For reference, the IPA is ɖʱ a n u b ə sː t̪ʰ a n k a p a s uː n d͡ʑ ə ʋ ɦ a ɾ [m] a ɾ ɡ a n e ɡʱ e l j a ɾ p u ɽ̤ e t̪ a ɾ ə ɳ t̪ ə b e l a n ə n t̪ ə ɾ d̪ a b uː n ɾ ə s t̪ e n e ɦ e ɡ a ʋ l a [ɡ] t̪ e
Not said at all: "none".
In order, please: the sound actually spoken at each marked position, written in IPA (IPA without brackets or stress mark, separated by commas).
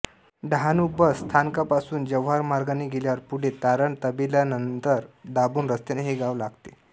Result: m, ɡ